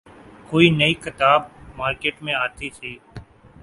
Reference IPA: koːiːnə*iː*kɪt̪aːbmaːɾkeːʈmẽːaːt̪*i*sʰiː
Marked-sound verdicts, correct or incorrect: correct, incorrect

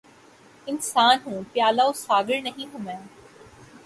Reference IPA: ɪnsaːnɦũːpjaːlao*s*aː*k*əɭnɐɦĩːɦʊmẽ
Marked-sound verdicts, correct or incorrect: correct, incorrect

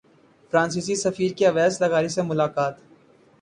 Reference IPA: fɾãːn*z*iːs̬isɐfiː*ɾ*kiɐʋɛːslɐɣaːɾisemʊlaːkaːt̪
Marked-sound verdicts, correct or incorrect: incorrect, correct

